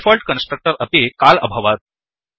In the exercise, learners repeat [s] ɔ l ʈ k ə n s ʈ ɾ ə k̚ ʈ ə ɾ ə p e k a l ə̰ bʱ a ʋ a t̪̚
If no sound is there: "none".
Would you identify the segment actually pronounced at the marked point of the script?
f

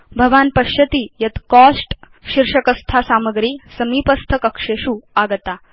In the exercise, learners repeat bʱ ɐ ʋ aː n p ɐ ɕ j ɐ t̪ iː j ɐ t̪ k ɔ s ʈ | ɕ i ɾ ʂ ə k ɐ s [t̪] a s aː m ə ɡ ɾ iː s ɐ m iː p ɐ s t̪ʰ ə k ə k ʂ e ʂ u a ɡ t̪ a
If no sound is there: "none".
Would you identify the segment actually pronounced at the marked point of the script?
t̪ʰ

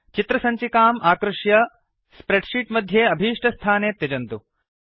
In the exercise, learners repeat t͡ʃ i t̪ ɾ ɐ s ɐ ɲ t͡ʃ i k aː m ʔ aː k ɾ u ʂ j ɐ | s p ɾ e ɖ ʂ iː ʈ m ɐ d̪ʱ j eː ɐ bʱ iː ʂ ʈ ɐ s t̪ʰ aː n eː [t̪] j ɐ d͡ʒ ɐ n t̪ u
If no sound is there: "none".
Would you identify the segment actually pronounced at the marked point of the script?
t̪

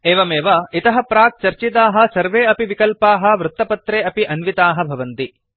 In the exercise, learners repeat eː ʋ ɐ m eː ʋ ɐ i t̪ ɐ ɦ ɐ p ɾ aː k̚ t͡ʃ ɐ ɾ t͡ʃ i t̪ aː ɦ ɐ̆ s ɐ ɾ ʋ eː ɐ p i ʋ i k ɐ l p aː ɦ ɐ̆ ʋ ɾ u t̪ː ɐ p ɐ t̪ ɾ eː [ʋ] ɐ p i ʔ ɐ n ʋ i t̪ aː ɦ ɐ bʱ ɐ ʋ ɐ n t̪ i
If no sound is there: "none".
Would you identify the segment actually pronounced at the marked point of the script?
none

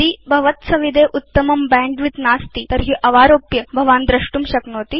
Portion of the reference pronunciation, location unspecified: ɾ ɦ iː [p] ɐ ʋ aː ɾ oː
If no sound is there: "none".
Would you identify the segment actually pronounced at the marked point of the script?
ʔ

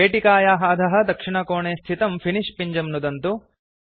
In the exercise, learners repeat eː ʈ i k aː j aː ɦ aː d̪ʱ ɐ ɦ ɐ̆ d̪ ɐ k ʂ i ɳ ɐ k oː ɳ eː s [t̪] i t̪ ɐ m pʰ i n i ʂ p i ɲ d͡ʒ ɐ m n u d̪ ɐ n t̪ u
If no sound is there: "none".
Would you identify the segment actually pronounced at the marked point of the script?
t̪ʰ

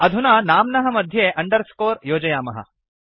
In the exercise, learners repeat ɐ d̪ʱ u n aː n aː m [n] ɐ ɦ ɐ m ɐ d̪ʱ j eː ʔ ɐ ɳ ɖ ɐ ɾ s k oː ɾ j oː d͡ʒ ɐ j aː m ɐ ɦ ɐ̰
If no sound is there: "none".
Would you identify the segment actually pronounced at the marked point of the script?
n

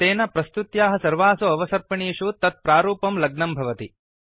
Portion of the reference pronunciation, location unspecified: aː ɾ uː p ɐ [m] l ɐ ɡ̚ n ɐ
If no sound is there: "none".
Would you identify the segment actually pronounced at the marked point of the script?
m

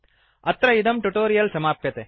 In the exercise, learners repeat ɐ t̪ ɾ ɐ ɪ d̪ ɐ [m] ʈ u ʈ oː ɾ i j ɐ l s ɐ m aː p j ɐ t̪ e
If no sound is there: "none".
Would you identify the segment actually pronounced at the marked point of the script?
m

